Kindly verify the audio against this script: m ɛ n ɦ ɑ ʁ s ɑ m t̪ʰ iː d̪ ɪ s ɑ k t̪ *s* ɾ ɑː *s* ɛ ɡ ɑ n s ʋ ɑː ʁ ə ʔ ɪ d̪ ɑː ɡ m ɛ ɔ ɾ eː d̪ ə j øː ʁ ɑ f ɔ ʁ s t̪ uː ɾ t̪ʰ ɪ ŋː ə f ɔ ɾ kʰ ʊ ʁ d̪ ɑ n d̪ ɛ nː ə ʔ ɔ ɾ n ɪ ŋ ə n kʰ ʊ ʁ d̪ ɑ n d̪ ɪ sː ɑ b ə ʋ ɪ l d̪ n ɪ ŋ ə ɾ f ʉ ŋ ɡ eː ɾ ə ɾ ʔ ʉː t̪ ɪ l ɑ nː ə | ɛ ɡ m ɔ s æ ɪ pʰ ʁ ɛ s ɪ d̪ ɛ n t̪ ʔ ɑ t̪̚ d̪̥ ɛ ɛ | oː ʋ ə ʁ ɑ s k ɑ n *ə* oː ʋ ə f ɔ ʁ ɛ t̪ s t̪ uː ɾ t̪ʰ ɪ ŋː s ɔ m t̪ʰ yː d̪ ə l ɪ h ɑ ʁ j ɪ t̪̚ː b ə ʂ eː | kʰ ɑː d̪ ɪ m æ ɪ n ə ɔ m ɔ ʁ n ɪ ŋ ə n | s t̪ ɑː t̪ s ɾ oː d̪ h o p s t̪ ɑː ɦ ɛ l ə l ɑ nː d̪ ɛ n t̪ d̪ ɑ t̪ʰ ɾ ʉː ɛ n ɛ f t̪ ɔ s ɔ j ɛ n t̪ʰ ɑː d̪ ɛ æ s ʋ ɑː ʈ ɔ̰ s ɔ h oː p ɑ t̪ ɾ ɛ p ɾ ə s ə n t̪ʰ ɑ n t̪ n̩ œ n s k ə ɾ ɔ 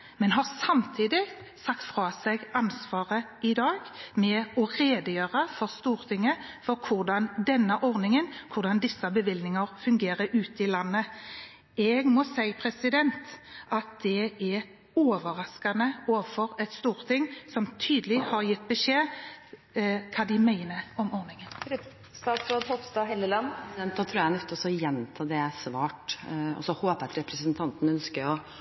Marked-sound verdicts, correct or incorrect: incorrect, correct, correct

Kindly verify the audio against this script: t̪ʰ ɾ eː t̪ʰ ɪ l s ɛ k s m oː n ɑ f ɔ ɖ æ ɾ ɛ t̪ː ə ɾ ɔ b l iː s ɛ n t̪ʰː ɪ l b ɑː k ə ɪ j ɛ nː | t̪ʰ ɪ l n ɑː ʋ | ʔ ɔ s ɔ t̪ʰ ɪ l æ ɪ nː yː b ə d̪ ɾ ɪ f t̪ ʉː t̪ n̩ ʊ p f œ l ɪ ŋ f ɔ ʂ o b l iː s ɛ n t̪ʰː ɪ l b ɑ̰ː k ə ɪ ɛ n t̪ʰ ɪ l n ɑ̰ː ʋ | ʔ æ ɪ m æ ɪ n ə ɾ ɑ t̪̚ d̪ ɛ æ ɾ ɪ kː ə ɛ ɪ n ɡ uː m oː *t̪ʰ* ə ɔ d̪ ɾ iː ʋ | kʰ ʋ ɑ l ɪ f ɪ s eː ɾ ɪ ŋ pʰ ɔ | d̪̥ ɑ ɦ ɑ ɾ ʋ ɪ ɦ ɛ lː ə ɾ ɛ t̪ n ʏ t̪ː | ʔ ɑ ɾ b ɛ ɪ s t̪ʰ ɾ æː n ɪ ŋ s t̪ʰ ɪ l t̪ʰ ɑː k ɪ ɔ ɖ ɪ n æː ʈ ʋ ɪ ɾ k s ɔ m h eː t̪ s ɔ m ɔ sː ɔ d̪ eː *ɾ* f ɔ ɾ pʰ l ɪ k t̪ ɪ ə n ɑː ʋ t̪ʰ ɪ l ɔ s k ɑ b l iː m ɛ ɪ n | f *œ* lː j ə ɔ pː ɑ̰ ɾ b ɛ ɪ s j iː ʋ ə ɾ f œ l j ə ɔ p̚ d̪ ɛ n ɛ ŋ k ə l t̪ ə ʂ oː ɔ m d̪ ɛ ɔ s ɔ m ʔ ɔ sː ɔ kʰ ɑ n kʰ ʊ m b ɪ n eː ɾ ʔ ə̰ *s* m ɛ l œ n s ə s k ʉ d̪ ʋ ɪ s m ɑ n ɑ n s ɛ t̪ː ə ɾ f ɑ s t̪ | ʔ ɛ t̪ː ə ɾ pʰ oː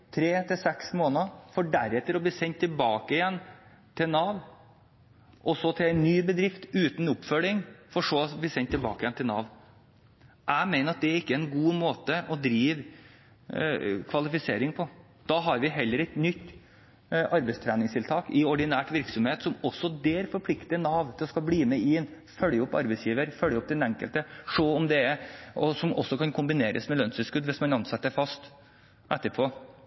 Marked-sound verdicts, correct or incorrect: incorrect, correct, correct, correct

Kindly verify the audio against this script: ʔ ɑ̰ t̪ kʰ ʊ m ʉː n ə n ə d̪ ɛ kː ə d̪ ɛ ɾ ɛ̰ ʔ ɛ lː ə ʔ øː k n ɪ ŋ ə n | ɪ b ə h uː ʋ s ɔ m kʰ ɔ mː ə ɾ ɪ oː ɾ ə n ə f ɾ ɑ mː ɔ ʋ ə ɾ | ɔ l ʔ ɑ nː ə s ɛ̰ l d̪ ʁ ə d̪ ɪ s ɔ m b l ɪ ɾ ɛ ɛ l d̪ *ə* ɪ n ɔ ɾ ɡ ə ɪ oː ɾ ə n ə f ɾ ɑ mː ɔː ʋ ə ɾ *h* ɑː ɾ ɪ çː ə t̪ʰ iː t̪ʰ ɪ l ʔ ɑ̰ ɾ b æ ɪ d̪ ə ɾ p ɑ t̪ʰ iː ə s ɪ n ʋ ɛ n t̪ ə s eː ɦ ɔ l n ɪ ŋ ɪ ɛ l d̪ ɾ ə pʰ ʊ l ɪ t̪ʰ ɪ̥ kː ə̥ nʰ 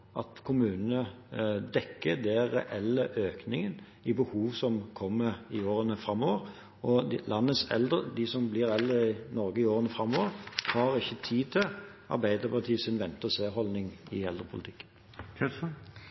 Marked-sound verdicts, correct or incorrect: correct, correct

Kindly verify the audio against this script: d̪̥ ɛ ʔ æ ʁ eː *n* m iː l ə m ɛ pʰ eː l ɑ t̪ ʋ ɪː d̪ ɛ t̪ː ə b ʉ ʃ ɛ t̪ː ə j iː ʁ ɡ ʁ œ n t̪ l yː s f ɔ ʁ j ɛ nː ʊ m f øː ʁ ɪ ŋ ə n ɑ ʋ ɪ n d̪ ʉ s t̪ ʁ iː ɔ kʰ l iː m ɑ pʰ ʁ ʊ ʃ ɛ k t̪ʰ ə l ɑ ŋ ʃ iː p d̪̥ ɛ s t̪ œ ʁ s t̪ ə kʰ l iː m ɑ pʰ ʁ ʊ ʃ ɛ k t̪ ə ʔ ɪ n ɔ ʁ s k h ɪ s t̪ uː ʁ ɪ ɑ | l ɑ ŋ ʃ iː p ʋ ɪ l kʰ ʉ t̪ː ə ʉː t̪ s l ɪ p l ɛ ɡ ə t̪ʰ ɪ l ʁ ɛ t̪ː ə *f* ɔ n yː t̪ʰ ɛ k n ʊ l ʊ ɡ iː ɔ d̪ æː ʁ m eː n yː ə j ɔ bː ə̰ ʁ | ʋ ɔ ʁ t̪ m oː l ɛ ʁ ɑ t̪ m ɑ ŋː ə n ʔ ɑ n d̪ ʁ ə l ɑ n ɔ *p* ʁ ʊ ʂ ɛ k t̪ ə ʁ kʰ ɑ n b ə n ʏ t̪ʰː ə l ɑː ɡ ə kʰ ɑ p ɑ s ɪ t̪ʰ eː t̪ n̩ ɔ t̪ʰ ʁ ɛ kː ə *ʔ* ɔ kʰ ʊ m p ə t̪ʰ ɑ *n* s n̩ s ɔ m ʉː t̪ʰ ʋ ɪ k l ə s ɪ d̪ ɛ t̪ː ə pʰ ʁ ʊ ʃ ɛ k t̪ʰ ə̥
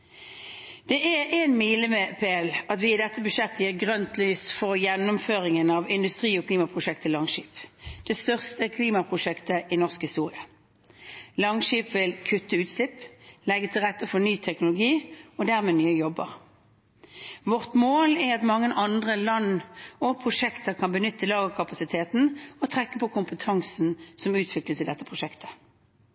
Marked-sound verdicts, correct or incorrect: correct, correct, incorrect, incorrect, incorrect

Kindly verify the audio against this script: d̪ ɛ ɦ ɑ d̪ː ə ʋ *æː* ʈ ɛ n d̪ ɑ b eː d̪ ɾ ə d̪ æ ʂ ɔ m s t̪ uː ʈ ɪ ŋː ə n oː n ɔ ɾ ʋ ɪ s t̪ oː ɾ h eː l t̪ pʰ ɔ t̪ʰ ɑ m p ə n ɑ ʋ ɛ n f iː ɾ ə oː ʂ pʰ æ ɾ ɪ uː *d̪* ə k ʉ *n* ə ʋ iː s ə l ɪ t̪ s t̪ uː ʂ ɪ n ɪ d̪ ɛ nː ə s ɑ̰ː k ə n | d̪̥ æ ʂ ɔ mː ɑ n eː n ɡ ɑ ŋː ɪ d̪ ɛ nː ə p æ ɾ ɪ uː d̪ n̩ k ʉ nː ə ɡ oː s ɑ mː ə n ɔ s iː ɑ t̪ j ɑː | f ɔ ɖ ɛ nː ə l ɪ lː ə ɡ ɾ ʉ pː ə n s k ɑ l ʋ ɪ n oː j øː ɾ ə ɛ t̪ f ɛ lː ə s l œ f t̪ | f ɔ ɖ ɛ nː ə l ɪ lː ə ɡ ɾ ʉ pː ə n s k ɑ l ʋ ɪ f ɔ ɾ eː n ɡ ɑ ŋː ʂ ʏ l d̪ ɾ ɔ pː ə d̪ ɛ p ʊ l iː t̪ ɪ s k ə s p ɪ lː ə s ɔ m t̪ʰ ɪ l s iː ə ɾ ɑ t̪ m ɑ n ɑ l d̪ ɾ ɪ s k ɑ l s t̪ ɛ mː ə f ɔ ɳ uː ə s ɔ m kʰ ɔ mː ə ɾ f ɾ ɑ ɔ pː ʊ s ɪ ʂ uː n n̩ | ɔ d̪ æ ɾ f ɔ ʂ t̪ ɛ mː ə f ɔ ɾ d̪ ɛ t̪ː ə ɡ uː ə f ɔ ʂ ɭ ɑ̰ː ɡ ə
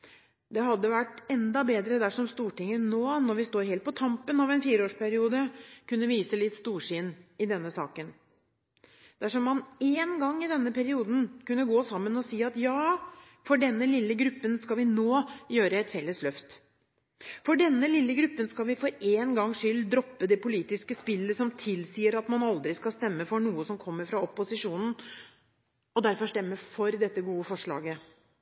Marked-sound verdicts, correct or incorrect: incorrect, correct, incorrect

